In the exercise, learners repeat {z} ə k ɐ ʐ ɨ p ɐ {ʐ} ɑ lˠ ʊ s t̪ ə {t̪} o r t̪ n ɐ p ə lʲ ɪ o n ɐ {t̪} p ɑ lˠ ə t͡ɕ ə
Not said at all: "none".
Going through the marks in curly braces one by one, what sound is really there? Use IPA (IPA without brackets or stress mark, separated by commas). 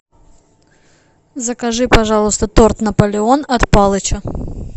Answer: z, ʐ, t̪, t̪